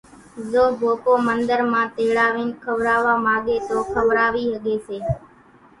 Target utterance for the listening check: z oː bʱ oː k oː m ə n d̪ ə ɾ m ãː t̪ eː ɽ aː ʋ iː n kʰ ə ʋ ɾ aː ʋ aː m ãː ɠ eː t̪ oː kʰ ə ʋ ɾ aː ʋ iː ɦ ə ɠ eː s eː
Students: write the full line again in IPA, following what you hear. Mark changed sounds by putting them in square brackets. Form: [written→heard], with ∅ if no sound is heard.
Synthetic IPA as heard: z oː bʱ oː k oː m ə n d̪ ə ɾ m ãː t̪ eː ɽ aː ʋ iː n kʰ ə ʋ ɾ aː ʋ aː m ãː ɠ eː t̪ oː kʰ ə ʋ ɾ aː ʋ iː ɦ ə ɠ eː s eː

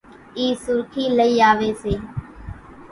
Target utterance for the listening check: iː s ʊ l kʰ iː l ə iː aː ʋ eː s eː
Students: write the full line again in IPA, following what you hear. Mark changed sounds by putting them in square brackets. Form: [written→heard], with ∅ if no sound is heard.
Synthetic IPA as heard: iː s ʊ [l→ɾ] kʰ iː l ə iː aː ʋ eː s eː

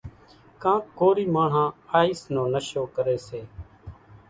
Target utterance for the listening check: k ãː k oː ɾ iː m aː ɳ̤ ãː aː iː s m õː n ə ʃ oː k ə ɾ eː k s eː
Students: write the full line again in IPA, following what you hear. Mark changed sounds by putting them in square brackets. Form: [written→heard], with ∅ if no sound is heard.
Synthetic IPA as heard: k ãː k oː ɾ iː m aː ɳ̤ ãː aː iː s [m→n] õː n ə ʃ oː k ə ɾ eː [k→∅] s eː

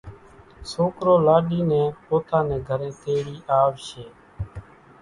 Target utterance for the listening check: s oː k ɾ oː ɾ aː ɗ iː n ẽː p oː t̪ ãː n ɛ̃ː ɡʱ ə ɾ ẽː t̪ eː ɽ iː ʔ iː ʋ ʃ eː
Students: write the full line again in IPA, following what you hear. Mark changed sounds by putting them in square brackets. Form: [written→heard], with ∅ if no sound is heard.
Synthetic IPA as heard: s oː k ɾ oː [ɾ→l] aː ɗ iː n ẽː p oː t̪ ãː n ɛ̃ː ɡʱ ə ɾ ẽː t̪ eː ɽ iː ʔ [iː→aː] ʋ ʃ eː

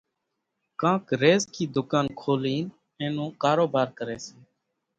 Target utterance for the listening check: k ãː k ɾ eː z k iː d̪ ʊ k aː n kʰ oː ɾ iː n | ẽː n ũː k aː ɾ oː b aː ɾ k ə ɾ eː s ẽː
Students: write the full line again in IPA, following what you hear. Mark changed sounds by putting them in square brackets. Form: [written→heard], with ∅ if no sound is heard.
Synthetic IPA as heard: k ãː k ɾ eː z k iː d̪ ʊ k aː n kʰ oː [ɾ→l] iː n | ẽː n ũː k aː ɾ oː b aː ɾ k ə ɾ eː s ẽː

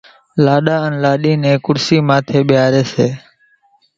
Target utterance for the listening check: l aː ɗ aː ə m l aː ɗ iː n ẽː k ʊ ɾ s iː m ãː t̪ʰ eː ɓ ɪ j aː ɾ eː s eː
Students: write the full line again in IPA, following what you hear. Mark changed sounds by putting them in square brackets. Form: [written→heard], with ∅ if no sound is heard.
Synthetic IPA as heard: l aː ɗ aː ə [m→n] l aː ɗ iː n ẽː k ʊ ɾ s iː m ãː t̪ʰ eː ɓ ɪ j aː ɾ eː s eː

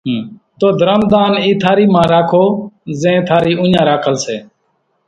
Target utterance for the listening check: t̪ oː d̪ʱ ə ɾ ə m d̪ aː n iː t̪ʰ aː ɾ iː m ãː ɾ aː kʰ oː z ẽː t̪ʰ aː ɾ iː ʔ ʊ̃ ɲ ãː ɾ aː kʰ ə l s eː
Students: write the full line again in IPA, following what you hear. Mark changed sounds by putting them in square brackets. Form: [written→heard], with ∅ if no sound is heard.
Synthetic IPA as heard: t̪ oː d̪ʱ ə ɾ ə m d̪ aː n iː t̪ʰ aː ɾ iː m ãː ɾ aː kʰ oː z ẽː t̪ʰ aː ɾ iː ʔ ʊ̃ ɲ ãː ɾ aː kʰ ə l s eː

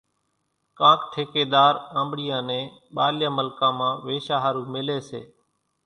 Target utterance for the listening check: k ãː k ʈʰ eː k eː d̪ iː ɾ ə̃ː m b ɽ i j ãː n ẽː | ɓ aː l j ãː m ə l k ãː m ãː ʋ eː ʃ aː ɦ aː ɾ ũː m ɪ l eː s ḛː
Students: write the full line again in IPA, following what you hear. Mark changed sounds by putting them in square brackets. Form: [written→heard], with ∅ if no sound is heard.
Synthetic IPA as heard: k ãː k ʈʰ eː k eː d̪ [iː→aː] ɾ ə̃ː m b ɽ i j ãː n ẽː | ɓ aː l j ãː m ə l k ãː m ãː ʋ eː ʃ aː ɦ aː ɾ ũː m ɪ l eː s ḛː

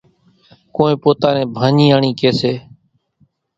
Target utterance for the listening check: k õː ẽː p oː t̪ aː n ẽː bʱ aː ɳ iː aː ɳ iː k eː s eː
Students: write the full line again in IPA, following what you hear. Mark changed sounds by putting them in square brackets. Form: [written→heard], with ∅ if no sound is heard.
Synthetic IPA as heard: k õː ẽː p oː t̪ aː n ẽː bʱ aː [ɳ→ɲ] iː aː ɳ iː k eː s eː

